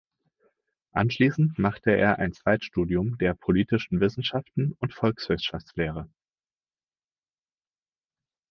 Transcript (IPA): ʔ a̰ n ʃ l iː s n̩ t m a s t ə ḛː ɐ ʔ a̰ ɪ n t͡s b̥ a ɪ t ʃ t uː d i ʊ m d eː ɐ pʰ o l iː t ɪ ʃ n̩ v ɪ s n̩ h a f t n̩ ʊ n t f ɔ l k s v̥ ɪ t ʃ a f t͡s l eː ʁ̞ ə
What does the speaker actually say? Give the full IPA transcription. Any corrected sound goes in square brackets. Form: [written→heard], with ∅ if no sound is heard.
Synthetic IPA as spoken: ʔ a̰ n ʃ l iː s n̩ t m a [s→χ] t ə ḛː ɐ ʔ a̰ ɪ n t͡s [b̥→v̥] a ɪ t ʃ t uː d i ʊ m d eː ɐ pʰ o l iː t ɪ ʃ n̩ v ɪ s n̩ [h→ʃ] a f t n̩ ʊ n t f ɔ l k s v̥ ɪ [t→s] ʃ a f t͡s l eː ʁ̞ ə